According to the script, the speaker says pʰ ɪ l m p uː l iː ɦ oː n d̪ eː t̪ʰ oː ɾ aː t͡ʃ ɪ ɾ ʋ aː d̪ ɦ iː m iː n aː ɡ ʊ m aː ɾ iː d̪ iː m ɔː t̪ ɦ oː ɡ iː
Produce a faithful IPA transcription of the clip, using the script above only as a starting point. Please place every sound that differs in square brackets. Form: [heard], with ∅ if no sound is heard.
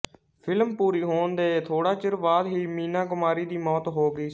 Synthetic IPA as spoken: pʰ ɪ l m p uː [ɾ] iː ɦ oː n d̪ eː t̪ʰ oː [ɽ] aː t͡ʃ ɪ ɾ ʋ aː d̪ ɦ iː m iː n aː ɡ ʊ m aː ɾ iː d̪ iː m ɔː t̪ ɦ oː ɡ iː